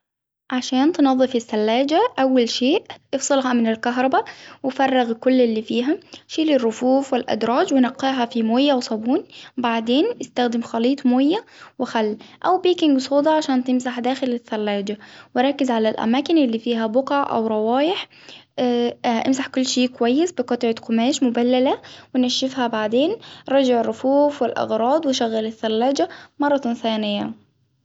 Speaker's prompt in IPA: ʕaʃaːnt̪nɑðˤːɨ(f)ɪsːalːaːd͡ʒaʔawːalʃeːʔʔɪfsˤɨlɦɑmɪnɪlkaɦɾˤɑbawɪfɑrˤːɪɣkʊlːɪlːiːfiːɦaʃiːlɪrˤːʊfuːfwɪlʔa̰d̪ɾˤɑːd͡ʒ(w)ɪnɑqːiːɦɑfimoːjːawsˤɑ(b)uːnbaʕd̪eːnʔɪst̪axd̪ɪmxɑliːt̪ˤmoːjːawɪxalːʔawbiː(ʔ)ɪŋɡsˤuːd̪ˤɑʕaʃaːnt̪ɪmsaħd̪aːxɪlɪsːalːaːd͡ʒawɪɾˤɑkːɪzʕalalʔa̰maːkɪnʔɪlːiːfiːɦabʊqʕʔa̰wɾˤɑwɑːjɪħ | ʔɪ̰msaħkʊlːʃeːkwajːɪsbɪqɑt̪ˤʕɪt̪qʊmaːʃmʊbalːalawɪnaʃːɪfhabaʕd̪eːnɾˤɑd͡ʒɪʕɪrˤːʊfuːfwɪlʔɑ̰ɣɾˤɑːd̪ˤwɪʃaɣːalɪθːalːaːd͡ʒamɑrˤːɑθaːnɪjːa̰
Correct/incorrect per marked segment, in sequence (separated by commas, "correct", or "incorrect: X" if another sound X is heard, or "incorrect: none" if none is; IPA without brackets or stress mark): correct, correct, correct, incorrect: k